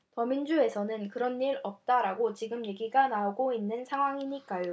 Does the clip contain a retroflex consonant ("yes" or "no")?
no